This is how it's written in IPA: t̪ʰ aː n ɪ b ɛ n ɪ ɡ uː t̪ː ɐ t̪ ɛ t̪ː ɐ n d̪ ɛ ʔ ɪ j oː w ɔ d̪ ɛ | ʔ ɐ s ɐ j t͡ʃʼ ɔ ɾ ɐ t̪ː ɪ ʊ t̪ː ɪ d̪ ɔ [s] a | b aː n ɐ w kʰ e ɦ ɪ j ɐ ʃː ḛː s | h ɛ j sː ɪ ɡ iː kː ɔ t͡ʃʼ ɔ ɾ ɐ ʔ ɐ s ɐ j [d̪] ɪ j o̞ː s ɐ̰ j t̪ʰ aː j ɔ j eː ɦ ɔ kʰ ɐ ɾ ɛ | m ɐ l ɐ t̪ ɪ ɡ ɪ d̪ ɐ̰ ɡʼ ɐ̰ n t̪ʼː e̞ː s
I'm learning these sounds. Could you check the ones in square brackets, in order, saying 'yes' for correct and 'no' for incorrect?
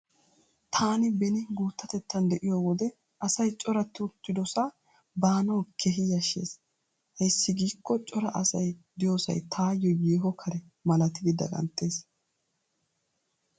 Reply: yes, yes

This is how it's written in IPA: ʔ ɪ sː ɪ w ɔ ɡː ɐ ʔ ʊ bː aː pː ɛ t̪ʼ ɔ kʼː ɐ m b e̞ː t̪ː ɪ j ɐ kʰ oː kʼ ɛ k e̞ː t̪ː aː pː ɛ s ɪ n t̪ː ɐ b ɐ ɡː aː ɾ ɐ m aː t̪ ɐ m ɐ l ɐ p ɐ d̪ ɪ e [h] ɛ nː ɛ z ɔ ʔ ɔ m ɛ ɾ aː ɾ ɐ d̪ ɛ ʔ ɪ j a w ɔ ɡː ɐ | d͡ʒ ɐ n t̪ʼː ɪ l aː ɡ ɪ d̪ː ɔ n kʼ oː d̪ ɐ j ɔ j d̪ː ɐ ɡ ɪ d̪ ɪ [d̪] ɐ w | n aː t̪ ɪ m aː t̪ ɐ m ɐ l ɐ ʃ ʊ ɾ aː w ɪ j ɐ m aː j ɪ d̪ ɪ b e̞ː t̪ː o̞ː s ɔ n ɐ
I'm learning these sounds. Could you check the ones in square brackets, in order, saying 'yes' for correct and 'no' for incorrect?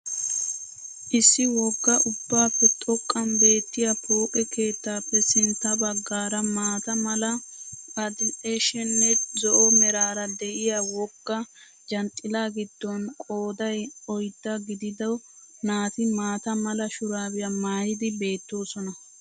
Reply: no, yes

